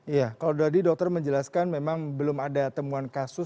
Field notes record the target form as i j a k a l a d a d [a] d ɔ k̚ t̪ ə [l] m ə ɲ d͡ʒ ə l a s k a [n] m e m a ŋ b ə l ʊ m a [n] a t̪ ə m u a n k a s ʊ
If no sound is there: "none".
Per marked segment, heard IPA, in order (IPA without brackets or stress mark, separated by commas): i, r, n, d